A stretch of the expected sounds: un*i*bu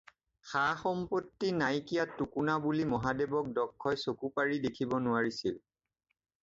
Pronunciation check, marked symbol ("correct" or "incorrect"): incorrect